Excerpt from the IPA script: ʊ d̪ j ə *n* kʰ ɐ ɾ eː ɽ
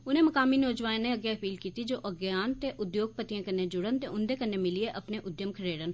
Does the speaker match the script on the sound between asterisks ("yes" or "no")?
no